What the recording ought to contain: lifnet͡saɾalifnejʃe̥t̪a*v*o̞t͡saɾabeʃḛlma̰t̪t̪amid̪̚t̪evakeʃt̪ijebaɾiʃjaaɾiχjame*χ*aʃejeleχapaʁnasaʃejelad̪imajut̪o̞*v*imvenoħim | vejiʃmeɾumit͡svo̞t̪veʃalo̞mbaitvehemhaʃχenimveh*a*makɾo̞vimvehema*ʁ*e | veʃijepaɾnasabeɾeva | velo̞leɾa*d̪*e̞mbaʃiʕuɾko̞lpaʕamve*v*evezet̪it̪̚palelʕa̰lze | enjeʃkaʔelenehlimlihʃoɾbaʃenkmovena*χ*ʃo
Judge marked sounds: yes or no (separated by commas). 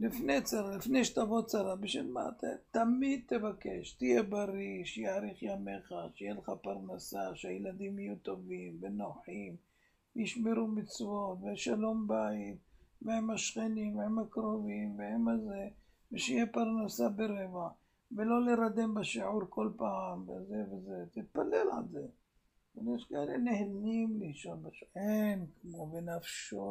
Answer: yes, yes, yes, no, no, yes, no, no